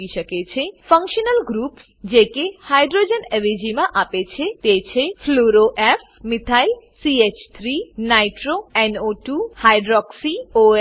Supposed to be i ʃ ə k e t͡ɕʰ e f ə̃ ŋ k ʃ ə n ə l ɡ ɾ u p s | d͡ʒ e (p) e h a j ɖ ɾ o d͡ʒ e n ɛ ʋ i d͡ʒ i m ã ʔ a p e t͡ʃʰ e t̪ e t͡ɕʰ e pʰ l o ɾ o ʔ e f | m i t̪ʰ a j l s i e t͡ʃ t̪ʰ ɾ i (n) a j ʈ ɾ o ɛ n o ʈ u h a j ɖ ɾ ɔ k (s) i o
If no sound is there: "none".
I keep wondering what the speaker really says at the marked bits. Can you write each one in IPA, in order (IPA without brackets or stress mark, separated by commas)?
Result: k, n, s